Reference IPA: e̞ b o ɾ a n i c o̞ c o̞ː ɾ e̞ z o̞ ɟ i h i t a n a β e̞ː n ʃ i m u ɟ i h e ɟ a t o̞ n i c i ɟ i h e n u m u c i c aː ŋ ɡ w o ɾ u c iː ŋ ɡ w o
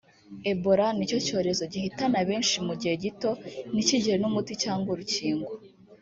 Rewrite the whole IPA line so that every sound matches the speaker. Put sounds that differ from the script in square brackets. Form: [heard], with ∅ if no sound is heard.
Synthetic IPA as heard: e̞ b o ɾ a n i c o̞ c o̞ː ɾ e̞ z o̞ ɟ i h i t a n a β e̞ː n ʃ i m u ɟ i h e ɟ [i] t o̞ n i c i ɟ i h e n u m u [t] i c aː ŋ ɡ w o ɾ u c iː ŋ ɡ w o